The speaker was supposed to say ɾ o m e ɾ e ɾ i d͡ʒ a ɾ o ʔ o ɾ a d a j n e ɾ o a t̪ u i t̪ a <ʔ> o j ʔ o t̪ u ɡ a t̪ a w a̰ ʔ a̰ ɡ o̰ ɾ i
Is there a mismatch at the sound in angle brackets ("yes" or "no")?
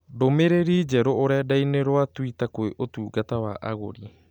yes